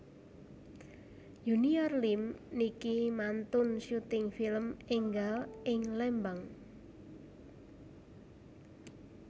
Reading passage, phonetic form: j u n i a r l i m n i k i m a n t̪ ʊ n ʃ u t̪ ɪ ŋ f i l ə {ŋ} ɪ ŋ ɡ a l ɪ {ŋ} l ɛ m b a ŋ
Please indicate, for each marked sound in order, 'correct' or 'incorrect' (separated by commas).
incorrect, correct